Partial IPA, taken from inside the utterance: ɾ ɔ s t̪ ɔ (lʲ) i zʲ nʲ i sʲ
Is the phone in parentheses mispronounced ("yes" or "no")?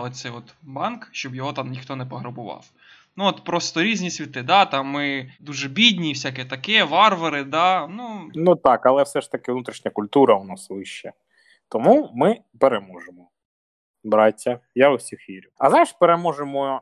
yes